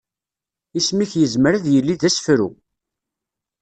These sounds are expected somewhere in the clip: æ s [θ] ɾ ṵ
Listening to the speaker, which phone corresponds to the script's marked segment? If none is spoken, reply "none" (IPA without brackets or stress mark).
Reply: f